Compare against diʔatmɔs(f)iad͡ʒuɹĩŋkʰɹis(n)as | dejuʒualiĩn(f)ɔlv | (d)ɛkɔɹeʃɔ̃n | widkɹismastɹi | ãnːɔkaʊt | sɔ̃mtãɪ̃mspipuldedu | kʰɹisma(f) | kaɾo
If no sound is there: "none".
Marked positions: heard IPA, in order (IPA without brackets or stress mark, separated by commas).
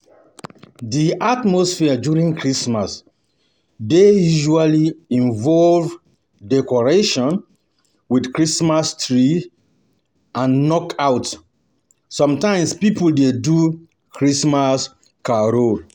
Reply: f, m, v, d, s